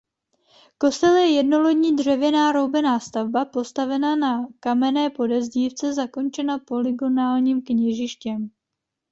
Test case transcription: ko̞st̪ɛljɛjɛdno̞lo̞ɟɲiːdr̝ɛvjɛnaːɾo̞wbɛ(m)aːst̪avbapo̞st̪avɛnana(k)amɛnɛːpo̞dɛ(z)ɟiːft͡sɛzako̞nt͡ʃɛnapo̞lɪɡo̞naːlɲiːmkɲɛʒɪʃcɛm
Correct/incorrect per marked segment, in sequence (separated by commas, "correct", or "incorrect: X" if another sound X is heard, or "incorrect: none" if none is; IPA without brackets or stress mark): incorrect: n, correct, correct